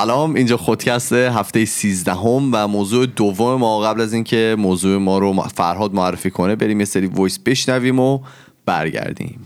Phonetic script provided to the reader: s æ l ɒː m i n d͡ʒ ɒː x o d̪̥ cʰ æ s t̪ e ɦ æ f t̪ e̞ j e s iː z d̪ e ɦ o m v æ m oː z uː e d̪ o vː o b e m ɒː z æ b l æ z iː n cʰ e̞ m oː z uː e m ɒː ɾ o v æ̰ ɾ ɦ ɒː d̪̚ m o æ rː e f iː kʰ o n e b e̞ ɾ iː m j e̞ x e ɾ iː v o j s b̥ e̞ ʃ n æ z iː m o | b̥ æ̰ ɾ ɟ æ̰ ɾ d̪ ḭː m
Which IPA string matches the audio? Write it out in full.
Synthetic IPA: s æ l ɒː m i n d͡ʒ ɒː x o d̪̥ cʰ æ s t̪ e ɦ æ f t̪ e̞ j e s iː z d̪ æ ɦ o m v æ m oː z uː e d̪ o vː o m e m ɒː ɣ æ b l æ z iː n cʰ e̞ m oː z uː e m ɒː ɾ o f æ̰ ɾ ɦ ɒː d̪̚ m o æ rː e f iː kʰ o n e b e̞ ɾ iː m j e̞ s e ɾ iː v o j s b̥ e̞ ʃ n æ v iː m o | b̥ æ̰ ɾ ɟ æ̰ ɾ d̪ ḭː m